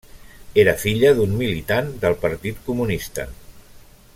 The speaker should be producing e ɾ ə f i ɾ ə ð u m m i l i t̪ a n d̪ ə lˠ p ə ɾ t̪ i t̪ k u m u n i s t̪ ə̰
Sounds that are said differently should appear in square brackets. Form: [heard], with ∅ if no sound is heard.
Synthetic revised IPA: e ɾ ə f i [ʎ] ə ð u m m i l i t̪ a n d̪ ə lˠ p ə ɾ t̪ i t̪ k u m u n i s t̪ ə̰